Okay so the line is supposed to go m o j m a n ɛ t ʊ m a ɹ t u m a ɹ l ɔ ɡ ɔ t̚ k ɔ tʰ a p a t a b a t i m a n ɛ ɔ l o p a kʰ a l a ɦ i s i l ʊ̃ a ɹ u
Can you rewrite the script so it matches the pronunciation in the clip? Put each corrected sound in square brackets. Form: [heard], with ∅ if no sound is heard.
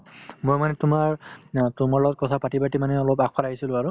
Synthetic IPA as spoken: m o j m a n ɛ t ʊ m a ɹ t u m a ɹ l ɔ ɡ ɔ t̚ k ɔ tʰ a p a t [i] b a t i m a n ɛ ɔ l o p a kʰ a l a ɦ i s i l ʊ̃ a ɹ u